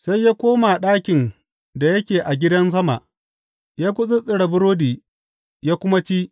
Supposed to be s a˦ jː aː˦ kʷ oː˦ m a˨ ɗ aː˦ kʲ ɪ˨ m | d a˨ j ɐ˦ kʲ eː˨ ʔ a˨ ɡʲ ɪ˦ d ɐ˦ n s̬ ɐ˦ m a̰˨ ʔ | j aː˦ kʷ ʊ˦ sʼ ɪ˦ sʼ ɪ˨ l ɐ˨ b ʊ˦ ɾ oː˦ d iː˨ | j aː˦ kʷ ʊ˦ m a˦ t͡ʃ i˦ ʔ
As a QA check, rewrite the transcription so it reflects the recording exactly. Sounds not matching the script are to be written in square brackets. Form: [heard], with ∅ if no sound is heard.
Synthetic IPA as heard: s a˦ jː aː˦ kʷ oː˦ m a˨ ɗ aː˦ kʲ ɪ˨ [n] | d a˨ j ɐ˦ kʲ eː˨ ʔ a˨ ɡʲ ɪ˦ d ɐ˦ n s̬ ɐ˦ m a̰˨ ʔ | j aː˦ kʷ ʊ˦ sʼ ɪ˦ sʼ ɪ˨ [ɽ] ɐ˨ b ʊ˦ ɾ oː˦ d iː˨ | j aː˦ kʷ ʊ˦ m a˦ t͡ʃ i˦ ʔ